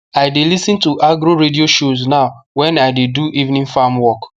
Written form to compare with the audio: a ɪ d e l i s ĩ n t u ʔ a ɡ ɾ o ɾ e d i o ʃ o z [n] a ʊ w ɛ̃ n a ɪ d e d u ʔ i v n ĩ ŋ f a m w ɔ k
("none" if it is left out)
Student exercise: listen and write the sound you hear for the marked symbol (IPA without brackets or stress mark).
n